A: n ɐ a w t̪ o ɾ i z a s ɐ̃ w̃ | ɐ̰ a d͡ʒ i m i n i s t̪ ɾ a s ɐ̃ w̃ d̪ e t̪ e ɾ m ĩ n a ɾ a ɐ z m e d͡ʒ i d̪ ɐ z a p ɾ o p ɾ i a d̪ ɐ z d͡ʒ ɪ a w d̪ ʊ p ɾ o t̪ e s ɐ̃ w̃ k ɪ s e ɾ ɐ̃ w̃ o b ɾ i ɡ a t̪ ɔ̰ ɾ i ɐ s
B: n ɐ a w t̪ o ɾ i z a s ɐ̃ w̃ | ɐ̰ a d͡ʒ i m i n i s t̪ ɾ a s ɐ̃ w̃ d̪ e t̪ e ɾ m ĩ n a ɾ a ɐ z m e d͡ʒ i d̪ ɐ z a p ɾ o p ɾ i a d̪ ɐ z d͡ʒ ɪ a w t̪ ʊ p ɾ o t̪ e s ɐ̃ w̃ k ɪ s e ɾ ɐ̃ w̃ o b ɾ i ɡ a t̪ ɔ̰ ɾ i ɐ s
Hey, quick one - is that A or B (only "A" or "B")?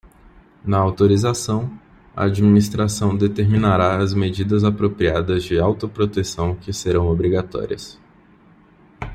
B